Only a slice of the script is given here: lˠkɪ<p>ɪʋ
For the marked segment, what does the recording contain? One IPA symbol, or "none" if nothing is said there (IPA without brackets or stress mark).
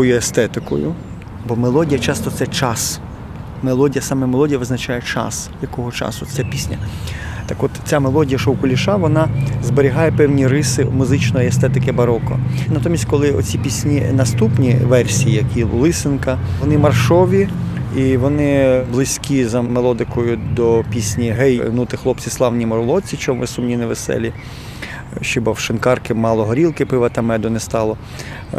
p